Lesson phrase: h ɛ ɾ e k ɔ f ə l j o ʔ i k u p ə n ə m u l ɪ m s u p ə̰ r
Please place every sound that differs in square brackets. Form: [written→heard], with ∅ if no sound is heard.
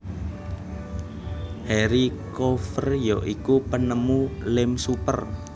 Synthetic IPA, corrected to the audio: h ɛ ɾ [e→i] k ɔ f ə [l→r] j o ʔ i k u p ə n ə m u l ɪ m s u p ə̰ r